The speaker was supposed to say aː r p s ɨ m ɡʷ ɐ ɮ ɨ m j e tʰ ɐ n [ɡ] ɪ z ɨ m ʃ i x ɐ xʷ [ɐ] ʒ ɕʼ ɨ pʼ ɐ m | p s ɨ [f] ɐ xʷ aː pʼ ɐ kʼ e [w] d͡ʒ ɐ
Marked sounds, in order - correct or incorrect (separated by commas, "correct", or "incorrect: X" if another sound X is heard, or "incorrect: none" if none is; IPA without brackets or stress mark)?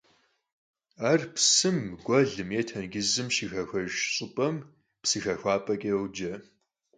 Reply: correct, correct, incorrect: x, correct